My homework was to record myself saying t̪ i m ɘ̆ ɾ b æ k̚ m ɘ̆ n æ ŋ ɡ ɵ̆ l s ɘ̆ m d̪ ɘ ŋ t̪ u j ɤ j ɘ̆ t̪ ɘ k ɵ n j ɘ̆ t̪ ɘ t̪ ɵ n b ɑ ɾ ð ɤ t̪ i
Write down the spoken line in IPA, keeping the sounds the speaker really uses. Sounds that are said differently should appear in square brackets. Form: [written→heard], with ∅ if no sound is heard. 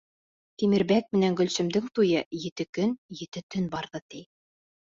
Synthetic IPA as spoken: t̪ i m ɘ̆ ɾ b æ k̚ m ɘ̆ n æ ŋ ɡ ɵ̆ l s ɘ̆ m d̪ ɘ ŋ t̪ u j ɤ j ɘ̆ t̪ ɘ k ɵ n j ɘ̆ t̪ ɘ t̪ ɵ n b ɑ ɾ ð ɤ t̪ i